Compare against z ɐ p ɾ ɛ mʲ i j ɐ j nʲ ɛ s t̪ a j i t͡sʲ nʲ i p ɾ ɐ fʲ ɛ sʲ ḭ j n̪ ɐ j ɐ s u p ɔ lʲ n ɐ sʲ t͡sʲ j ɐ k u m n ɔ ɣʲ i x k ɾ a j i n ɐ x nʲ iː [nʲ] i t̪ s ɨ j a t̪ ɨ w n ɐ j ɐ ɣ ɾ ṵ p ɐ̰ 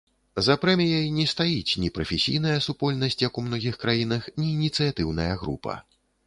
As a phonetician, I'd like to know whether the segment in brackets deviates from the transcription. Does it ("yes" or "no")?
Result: no